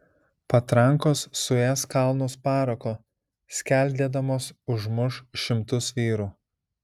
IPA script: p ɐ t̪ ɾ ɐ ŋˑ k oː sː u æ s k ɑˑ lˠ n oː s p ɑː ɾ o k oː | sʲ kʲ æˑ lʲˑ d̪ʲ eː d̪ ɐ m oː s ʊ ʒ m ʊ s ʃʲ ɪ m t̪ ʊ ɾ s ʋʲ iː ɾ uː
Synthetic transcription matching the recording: p ɐ t̪ ɾ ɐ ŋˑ k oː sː ʊ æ s k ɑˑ lˠ n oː s p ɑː ɾ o k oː | sʲ kʲ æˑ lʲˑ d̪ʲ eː d̪ ɐ m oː s ʊ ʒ m ʊ ʃ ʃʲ ɪ m t̪ ʊ s ʋʲ iː ɾ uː